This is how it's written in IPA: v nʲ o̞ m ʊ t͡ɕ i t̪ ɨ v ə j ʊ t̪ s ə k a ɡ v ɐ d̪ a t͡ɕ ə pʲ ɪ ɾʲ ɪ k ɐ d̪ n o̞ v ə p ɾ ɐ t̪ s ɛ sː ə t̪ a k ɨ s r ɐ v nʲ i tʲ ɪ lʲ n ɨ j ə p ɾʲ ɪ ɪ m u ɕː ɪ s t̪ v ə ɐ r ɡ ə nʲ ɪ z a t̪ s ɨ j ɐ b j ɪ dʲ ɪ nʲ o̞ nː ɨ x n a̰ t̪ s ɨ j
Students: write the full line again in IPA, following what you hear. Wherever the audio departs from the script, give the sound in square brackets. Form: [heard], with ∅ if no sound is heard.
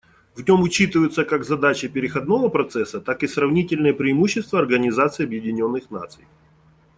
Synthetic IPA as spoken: v nʲ o̞ m ʊ t͡ɕ i t̪ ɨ v ə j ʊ t̪ s ə k a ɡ [z] ɐ d̪ a t͡ɕ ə pʲ ɪ ɾʲ ɪ [x] ɐ d̪ n o̞ v ə p ɾ ɐ t̪ s ɛ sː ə t̪ a k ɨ s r ɐ v nʲ i tʲ ɪ lʲ n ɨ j ə p ɾʲ ɪ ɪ m u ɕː ɪ s t̪ v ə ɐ r ɡ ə nʲ ɪ z a t̪ s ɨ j ɐ b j ɪ dʲ ɪ nʲ o̞ nː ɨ x n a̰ t̪ s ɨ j